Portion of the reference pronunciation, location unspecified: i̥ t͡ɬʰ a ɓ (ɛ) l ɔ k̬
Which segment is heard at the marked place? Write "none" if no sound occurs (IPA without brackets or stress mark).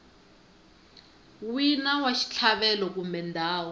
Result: ɛ